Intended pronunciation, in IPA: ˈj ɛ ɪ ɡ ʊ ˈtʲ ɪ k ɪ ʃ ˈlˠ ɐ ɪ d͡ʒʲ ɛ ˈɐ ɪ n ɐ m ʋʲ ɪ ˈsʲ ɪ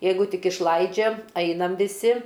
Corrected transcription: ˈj ɛ ɪ ɡ ʊ ˈtʲ ɪ k ɪ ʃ ˈlˠ ɐ ɪ d͡ʒʲ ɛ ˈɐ ɪ n ɐ m ʋʲ ɪ ˈsʲ ɪ